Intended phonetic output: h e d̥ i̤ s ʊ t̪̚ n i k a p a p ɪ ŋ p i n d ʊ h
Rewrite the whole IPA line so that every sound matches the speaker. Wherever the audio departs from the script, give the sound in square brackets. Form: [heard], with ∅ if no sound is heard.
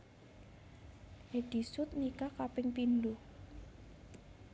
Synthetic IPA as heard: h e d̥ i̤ s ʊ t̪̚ n i k a [k] a p ɪ ŋ p i n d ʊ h